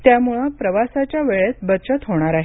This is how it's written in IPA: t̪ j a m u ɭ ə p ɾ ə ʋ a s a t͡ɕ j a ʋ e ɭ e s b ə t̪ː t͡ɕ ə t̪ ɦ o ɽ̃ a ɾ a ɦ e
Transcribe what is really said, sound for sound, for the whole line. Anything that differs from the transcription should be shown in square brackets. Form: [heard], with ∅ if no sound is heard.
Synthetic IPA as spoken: t̪ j a m u ɭ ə p ɾ ə ʋ a s a t͡ɕ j a ʋ e ɭ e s b ə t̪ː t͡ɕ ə t̪ ɦ o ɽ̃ a ɾ a ɦ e